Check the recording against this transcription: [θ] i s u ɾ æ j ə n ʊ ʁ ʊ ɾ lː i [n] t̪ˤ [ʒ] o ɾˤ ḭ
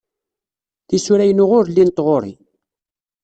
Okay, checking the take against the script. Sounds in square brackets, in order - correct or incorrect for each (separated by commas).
correct, correct, incorrect